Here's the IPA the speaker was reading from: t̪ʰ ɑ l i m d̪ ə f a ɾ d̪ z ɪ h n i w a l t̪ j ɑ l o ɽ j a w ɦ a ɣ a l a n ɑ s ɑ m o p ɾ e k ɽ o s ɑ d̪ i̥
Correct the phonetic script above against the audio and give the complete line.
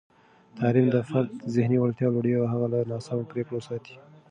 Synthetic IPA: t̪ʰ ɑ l i m d̪ ə f a ɾ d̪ z ɪ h n i w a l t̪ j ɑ l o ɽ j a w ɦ a ɣ a l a n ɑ s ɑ m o p ɾ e k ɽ o s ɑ t̪ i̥